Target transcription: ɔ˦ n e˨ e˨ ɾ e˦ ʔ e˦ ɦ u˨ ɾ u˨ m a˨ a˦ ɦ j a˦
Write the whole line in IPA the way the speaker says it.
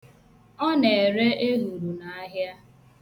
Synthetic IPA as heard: ɔ˦ n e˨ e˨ ɾ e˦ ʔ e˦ ɦ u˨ ɾ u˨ n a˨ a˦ ɦ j a˦